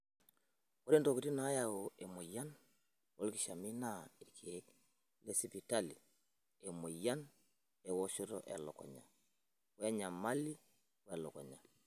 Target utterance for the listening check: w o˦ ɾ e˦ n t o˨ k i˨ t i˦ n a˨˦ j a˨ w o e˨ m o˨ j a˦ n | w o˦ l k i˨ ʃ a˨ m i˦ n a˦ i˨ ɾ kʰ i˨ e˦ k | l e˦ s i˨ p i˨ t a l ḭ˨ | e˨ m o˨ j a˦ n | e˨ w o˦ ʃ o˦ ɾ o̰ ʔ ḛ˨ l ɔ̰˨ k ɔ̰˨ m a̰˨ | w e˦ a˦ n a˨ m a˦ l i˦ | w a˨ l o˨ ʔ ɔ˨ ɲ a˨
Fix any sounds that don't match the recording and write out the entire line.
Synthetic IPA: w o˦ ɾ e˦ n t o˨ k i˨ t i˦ n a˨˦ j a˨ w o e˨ m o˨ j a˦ n | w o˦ l k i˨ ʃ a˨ m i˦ n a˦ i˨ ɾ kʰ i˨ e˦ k | l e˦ s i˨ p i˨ t a l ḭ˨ | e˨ m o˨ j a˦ n | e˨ w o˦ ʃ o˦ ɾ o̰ ʔ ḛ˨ l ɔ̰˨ k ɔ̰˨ ɲ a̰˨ | w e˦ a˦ ɲ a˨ m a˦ l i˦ | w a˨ l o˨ k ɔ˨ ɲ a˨